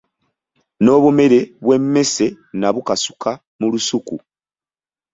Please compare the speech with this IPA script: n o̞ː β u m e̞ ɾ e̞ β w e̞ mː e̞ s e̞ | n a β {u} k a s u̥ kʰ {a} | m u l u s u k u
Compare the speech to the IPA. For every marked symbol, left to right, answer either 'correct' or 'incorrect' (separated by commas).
correct, correct